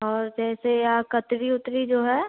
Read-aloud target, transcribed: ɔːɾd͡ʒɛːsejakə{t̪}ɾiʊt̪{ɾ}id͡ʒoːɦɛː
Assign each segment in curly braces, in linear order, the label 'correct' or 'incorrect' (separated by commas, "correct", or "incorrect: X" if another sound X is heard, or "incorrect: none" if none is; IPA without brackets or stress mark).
correct, correct